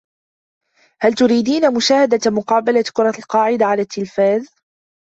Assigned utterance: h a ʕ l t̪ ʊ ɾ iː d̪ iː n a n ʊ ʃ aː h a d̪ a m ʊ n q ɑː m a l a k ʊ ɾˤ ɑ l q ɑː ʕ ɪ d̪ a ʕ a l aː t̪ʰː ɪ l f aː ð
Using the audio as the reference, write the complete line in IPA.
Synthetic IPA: h a l t̪ ʊ ɾ iː d̪ iː n a m ʊ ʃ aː h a d̪ a m ʊ q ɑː b a l a k ʊ ɾˤ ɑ l q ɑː ʕ ɪ d̪ a ʕ a l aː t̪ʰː ɪ l f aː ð